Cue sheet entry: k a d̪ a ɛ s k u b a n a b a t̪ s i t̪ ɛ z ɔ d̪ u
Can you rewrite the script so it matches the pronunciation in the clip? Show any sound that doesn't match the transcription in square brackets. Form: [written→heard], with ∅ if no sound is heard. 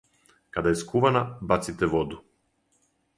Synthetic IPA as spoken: k a d̪ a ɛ s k u [b→v] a n a b a t̪ s i t̪ ɛ [z→v] ɔ d̪ u